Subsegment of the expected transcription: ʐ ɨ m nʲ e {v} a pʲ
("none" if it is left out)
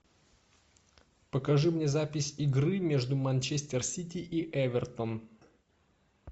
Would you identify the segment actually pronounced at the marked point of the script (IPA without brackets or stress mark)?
z